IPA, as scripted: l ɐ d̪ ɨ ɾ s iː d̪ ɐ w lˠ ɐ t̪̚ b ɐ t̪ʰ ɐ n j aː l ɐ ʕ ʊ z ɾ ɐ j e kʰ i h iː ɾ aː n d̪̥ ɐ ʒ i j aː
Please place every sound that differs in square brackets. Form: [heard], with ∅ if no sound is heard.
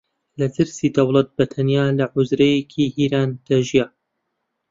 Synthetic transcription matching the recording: l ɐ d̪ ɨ ɾ s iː d̪ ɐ w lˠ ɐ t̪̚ b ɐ t̪ʰ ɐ n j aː l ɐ ʕ ʊ z ɾ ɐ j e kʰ i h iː ɾ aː n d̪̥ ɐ ʒ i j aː

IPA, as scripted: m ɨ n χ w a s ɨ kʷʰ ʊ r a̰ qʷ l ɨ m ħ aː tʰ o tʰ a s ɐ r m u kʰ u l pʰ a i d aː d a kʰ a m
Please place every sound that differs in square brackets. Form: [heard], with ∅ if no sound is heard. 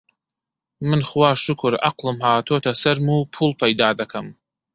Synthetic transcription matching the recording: m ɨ n χ w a [ʂ] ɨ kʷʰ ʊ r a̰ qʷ l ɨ m ħ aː tʰ o tʰ a s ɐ r m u [pʰ] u l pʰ a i d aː d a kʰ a m

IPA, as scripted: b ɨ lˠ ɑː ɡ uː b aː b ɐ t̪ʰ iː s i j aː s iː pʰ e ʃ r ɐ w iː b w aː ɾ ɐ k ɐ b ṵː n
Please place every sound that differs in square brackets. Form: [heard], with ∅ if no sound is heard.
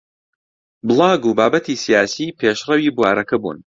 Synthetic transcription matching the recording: b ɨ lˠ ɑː ɡ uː b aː b ɐ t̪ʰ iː s i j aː s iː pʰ e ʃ r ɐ w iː b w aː ɾ ɐ k ɐ b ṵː n

